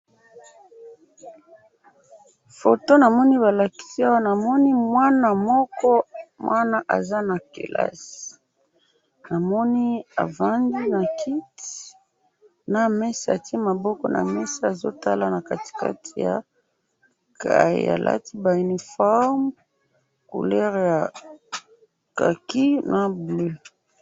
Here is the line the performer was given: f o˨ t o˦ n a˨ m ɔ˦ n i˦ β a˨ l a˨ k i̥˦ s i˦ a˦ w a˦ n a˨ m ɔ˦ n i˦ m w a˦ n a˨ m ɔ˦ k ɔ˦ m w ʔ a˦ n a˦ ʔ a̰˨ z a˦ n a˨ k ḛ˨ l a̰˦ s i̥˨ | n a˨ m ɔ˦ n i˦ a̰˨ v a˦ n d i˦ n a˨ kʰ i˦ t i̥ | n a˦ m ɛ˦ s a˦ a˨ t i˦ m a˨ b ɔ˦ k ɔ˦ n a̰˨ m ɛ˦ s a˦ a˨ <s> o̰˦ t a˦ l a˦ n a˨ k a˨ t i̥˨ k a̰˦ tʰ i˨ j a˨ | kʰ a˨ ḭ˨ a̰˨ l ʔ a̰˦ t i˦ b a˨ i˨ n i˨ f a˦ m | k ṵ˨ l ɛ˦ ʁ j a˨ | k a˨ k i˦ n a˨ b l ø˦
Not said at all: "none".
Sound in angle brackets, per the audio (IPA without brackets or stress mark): z